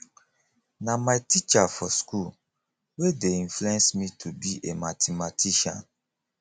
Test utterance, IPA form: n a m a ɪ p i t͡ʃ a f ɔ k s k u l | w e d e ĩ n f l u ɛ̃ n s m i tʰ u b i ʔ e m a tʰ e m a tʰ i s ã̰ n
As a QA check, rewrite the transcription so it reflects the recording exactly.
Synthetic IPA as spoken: n a m a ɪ t i t͡ʃ a f ɔ s k u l | w e d e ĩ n f l u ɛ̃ n s m i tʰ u b i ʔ e m a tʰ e m a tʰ i ʃ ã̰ n

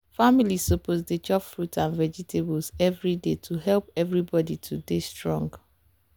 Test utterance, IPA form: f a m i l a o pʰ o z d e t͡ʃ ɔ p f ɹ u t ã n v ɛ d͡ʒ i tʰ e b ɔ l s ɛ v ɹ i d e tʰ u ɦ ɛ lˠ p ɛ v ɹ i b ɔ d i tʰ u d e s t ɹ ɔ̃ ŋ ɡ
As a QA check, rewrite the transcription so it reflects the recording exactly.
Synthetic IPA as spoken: f a m i l i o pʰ o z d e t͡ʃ ɔ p f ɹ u t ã n v ɛ d͡ʒ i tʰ e b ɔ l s ɛ v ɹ i d e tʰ u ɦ ɛ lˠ p ɛ v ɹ i b ɔ d i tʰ u d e s t ɹ ɔ̃ ŋ ɡ

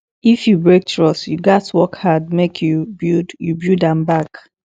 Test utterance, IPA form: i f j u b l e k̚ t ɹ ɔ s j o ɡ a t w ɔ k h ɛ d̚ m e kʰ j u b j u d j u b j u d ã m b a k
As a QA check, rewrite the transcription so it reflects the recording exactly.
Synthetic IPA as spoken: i f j u b ɹ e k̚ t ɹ ɔ s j u ɡ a t w ɔ k h a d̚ m e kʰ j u b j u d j u b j u d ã m b a k

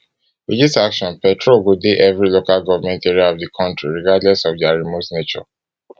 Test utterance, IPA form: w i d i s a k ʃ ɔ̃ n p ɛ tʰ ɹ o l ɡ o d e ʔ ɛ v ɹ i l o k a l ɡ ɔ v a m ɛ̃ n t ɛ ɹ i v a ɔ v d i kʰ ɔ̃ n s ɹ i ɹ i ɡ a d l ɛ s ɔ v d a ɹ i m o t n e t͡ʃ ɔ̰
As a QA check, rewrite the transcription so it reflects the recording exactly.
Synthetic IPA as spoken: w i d i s a k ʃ ɔ̃ n p ɛ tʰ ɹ o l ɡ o d e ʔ ɛ v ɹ i l o k a l ɡ ɔ v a m ɛ̃ n t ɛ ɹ i a ɔ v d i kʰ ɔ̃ n t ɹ i ɹ i ɡ a d l ɛ s ɔ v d a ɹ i m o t n e t͡ʃ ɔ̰

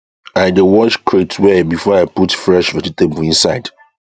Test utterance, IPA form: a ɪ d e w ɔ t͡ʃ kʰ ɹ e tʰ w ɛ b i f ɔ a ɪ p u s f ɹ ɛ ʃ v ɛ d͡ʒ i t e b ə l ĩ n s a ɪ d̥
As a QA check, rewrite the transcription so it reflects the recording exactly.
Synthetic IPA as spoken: a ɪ d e w ɔ t͡ʃ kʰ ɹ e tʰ w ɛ b i f ɔ a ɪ p u t f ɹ ɛ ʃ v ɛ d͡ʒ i t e b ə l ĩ n s a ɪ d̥

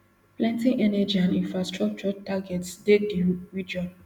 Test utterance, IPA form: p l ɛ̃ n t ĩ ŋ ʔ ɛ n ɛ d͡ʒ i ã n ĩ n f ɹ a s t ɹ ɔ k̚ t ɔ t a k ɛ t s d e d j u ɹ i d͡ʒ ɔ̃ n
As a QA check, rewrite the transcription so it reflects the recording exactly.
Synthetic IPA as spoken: p l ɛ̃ n t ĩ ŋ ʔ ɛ n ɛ d͡ʒ i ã n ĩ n f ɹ a s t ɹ ɔ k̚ t͡ʃ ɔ t a ɡ ɛ t s d e d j u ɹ i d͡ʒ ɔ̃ n

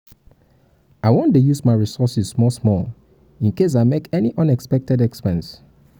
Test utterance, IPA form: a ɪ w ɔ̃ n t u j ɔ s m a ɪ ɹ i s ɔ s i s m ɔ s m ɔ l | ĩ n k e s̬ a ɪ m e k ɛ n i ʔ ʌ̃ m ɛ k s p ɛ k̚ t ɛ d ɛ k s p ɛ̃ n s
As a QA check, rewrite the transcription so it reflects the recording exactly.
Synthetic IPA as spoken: a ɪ w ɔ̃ n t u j u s m a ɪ ɹ i s ɔ s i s m ɔ s m ɔ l | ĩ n k e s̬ a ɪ m e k ɛ n i ʔ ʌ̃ n ɛ k s p ɛ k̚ t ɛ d ɛ k s p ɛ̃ n s

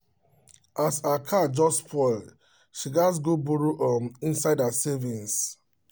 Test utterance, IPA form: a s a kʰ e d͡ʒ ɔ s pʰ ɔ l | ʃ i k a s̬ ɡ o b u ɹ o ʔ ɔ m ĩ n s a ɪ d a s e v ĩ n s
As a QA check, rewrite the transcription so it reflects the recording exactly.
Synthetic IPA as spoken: a s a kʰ a d͡ʒ ɔ s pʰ ɔ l | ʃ i ɡ a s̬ ɡ o b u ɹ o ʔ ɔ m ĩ n s a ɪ d a s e v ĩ n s

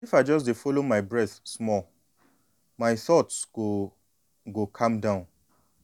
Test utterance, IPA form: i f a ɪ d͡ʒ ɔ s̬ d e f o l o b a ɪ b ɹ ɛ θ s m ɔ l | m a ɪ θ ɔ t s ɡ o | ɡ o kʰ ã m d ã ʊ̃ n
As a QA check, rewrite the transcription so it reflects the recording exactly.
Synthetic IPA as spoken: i f a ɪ d͡ʒ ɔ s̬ d e f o l o m a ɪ b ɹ ɛ θ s m ɔ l | m a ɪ θ ɔ t s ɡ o | ɡ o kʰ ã m d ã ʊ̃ n

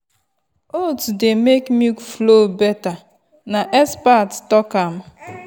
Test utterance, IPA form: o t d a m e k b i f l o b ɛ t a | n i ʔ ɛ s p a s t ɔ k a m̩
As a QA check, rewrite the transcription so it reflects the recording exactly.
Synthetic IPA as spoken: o t d e m e k m i f l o b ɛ t a | n a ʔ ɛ s p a t t ɔ k a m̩

